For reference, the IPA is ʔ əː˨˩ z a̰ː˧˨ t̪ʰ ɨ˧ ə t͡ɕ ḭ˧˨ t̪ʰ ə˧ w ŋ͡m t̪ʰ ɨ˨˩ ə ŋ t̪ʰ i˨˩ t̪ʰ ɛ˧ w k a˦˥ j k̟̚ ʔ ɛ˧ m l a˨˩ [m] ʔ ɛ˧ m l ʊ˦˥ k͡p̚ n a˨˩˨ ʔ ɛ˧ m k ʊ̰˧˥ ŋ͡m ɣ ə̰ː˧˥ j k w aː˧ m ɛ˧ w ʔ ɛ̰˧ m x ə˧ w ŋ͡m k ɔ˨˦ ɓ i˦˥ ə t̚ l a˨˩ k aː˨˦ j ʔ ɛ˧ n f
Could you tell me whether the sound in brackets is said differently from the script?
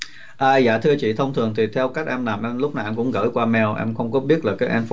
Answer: no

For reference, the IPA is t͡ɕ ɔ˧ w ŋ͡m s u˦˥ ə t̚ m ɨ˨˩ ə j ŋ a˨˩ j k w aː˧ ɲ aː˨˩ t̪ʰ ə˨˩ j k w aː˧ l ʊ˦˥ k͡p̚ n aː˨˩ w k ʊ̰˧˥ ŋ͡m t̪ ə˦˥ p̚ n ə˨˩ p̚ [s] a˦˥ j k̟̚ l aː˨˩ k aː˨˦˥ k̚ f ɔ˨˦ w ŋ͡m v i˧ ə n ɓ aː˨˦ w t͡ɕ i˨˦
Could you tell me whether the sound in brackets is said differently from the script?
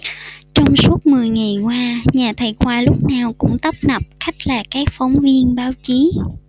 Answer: yes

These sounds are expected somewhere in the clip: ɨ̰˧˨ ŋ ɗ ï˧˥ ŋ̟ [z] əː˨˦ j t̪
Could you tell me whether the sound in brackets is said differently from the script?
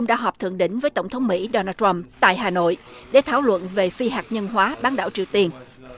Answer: yes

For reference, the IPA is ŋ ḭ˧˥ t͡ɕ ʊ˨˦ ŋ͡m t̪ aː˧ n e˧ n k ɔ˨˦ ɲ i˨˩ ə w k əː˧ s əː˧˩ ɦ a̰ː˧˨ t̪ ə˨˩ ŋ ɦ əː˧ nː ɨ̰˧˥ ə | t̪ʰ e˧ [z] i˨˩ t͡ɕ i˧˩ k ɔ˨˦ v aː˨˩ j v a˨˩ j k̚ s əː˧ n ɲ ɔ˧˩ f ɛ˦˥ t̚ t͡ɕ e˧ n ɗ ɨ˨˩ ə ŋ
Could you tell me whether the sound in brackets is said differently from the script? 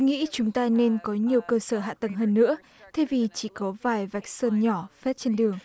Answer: yes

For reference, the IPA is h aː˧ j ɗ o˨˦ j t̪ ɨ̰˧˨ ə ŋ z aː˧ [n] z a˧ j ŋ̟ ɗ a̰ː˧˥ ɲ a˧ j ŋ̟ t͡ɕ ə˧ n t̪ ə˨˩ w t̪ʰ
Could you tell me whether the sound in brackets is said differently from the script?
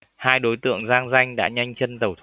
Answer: yes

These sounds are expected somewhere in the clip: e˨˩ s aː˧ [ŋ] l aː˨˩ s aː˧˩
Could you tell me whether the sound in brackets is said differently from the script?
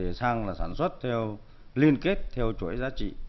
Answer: no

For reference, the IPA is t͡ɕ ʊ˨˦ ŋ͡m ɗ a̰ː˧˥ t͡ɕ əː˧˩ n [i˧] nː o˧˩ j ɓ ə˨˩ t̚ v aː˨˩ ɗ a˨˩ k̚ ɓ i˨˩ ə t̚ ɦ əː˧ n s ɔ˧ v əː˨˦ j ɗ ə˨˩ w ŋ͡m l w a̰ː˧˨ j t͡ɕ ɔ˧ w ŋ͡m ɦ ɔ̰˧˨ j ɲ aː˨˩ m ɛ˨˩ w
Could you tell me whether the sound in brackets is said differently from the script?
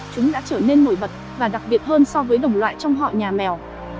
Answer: yes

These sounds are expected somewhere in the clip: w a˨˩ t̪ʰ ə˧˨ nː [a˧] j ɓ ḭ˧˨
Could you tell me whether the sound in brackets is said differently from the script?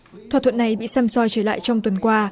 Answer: yes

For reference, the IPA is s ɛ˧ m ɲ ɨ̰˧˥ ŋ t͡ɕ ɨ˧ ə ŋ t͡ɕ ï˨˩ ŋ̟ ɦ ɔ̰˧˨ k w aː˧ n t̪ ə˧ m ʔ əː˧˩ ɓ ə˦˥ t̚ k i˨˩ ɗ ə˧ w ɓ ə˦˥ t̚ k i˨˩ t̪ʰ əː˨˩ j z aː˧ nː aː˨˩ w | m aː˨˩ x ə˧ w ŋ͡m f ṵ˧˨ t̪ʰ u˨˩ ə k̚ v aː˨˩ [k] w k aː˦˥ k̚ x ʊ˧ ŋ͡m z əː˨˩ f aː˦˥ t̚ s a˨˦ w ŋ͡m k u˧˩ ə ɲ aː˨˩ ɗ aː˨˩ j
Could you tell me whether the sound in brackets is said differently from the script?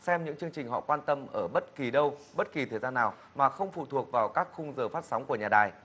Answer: yes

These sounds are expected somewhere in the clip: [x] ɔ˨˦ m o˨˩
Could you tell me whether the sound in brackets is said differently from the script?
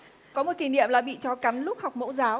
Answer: yes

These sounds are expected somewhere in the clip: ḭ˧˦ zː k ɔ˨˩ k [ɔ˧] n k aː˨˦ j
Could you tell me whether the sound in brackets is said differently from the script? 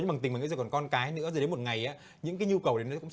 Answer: no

